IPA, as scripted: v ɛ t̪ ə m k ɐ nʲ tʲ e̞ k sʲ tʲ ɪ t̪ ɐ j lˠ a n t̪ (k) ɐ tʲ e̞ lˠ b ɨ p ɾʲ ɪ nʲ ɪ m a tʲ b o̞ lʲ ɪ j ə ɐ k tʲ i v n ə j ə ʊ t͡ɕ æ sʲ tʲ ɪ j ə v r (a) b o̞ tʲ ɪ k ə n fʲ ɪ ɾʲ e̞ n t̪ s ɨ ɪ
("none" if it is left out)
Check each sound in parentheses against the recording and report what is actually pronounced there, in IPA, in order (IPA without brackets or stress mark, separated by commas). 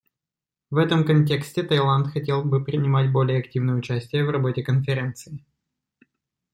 x, ɐ